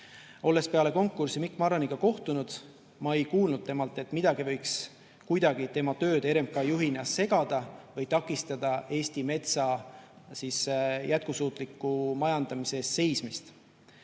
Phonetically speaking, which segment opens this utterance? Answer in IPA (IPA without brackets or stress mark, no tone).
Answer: o̞